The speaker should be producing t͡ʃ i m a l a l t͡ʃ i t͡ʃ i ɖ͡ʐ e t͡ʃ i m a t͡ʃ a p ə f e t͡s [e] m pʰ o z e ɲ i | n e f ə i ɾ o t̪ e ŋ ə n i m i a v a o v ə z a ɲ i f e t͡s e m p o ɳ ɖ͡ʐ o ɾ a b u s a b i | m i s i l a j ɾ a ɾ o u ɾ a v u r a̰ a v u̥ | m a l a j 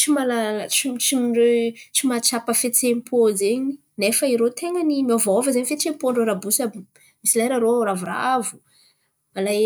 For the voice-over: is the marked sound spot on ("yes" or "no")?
yes